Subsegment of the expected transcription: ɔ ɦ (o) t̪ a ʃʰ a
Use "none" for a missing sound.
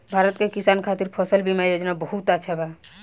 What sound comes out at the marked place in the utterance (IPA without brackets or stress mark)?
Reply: u